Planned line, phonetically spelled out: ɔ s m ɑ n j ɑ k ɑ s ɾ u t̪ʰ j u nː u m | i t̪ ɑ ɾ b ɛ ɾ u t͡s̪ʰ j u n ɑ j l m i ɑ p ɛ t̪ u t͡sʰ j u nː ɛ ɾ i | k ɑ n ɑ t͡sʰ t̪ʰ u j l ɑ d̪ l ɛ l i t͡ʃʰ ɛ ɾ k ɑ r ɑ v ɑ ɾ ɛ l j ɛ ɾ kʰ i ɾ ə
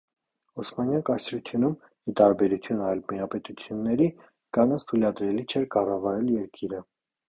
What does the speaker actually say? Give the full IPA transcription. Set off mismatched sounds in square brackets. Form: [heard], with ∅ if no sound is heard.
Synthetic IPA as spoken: ɔ s m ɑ n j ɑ k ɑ s ɾ u t̪ʰ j u [n] u m | i t̪ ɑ ɾ b ɛ ɾ u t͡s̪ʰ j u n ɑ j l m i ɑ p ɛ t̪ u t͡sʰ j u nː ɛ ɾ i | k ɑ n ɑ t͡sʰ t̪ʰ u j l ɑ d̪ [ɾ] ɛ l i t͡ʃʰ ɛ ɾ k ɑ r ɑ v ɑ ɾ ɛ l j ɛ ɾ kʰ i ɾ ə